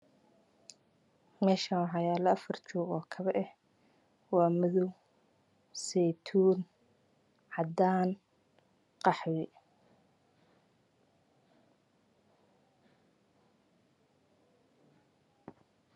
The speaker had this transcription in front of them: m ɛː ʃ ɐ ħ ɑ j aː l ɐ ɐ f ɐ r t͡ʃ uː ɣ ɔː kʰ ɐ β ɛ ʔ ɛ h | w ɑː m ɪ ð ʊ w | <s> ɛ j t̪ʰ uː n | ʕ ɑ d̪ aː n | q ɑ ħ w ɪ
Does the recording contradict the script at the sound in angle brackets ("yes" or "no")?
no